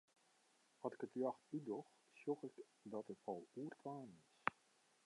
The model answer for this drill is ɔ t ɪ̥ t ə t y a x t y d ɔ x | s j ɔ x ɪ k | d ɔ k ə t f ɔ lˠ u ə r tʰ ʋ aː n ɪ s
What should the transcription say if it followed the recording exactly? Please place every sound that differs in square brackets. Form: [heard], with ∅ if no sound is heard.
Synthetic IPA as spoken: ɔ t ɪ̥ [k] ə t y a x t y d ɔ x | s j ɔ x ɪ k | d ɔ [t] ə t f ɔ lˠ u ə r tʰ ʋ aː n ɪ s